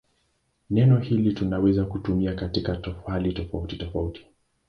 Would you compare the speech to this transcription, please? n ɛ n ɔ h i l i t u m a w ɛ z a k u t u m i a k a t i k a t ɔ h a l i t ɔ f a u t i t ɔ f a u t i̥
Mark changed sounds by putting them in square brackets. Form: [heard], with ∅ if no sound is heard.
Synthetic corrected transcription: n ɛ n ɔ h i l i t u [n] a w ɛ z a k u t u m i a k a t i k a t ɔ [f] a l i t ɔ f a u t i t ɔ f a u t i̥